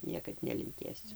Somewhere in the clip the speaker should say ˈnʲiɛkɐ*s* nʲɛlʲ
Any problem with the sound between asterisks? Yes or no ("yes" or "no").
yes